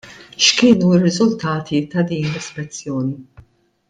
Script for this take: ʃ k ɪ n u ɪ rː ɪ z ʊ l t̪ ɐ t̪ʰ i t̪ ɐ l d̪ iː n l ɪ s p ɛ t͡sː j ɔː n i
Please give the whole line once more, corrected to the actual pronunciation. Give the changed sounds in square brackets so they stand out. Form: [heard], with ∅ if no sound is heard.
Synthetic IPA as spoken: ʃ k [ɪː] n u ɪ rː ɪ z ʊ l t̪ [ɐː] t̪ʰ i t̪ ɐ [∅] d̪ iː n l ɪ s p ɛ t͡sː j ɔː n i